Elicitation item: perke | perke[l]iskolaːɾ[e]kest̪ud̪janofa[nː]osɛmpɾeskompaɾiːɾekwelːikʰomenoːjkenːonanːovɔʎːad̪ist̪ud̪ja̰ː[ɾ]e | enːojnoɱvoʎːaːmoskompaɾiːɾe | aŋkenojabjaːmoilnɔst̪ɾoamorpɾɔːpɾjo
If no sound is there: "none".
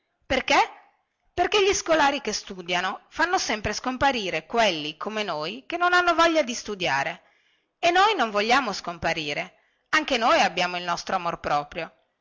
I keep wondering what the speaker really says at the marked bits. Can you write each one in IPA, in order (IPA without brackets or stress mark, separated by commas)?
ʎ, i, nː, ɾ